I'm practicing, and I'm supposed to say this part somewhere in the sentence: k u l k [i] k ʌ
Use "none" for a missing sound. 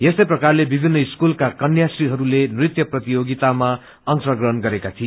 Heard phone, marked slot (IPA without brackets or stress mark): a